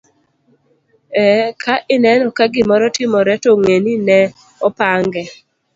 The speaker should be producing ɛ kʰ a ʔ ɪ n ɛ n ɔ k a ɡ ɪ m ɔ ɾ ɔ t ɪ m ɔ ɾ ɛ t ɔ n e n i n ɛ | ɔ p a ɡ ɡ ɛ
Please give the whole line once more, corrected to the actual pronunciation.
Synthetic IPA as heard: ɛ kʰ a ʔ ɪ n ɛ n ɔ k a ɡ ɪ m ɔ ɾ ɔ t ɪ m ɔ ɾ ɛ t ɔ ŋ e n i n ɛ | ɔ p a ŋ ɡ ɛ

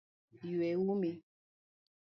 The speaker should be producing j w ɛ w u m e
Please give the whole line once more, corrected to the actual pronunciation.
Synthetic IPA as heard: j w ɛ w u m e

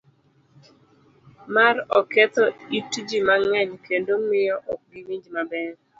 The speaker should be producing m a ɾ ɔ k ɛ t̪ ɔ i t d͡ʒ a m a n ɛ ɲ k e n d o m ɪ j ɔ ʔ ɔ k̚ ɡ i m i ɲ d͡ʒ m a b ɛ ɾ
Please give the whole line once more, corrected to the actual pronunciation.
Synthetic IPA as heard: m a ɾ ɔ k ɛ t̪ ɔ i t d͡ʒ i m a ŋ ɛ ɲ k e n d o m ɪ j ɔ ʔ ɔ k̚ ɡ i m i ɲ d͡ʒ m a b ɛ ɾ

